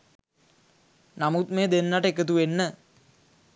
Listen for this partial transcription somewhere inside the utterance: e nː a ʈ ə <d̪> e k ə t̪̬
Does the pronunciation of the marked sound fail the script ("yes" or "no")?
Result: yes